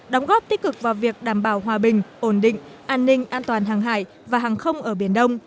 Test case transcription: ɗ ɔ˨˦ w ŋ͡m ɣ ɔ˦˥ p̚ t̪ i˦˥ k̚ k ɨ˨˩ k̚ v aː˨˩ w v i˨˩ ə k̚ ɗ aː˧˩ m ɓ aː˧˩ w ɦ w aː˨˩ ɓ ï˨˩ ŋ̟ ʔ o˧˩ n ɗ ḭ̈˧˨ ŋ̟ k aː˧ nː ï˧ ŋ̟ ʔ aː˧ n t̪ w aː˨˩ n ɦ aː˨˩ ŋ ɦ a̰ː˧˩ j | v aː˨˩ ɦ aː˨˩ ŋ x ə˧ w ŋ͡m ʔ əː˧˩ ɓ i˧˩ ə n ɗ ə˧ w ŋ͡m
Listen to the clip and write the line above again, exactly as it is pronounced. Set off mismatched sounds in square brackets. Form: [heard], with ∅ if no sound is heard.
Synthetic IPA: ɗ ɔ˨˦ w ŋ͡m ɣ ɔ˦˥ p̚ t̪ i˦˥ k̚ k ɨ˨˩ k̚ v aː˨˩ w v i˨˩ ə k̚ ɗ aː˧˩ m ɓ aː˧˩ w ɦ w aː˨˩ ɓ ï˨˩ ŋ̟ ʔ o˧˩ n ɗ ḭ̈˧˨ ŋ̟ [ʔ] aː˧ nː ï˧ ŋ̟ ʔ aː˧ n t̪ w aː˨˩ n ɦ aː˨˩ ŋ ɦ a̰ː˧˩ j | v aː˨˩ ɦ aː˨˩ ŋ x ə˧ w ŋ͡m ʔ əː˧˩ ɓ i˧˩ ə n ɗ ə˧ w ŋ͡m